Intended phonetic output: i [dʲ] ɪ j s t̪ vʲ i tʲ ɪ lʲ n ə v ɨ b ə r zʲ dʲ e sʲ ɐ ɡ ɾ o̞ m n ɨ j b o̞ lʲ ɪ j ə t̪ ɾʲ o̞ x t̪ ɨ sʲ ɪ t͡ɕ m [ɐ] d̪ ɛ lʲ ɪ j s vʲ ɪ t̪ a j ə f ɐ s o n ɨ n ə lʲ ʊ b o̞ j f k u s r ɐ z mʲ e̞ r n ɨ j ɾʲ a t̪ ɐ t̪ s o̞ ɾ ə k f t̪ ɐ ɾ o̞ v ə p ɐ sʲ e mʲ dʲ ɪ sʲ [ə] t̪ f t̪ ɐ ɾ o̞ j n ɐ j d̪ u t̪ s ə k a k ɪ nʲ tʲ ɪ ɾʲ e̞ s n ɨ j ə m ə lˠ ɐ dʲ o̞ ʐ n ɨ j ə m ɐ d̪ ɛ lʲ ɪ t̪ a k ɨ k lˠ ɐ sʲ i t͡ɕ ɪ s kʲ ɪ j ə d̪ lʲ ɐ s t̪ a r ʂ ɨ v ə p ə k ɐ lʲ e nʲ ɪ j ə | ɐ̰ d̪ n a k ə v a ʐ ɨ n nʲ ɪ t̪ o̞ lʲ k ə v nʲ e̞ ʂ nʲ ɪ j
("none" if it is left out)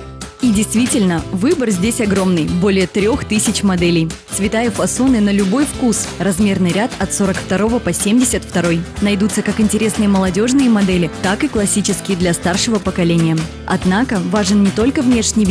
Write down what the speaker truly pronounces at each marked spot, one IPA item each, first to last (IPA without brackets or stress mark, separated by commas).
dʲ, ɐ, ə